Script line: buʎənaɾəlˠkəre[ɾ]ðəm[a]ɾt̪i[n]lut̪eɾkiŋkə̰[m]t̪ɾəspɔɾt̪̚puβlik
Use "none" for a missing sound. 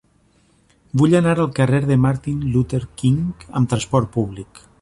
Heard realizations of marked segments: ɾ, a, n, m

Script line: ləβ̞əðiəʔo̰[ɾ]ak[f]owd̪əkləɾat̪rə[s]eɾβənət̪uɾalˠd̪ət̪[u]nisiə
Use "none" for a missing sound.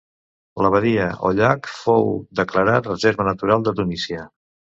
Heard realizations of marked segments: ʎ, f, z, u

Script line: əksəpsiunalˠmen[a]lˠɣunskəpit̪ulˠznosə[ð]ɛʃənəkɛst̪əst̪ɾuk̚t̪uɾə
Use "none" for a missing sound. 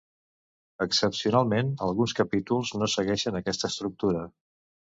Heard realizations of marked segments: ə, ɣ

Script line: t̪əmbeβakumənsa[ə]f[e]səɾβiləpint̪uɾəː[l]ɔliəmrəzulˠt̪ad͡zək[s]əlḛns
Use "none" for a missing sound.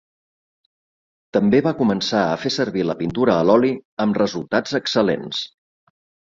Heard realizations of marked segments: ə, e, l, s

